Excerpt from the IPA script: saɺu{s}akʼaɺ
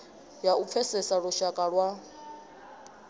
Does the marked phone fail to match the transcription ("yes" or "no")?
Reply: yes